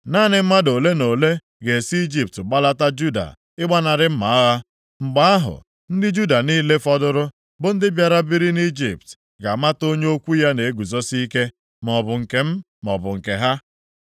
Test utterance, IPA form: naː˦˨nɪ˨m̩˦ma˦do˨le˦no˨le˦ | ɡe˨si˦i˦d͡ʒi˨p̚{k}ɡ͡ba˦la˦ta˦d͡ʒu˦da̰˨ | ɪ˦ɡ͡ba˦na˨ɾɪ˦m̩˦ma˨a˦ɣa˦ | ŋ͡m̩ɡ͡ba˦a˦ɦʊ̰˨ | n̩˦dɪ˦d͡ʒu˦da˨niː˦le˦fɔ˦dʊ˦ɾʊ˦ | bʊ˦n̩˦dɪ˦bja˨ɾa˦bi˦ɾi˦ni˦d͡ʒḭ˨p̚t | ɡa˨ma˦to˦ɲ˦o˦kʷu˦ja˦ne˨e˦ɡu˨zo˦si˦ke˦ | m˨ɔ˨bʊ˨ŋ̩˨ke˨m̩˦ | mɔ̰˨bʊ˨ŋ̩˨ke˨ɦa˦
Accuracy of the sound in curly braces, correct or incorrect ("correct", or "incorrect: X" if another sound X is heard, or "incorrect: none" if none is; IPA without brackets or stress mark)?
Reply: incorrect: t